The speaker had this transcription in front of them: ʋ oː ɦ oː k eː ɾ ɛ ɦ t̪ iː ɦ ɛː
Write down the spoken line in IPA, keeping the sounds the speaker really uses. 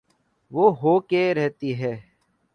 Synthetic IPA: ʋ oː ɦ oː k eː ɾ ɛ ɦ t̪ iː ɦ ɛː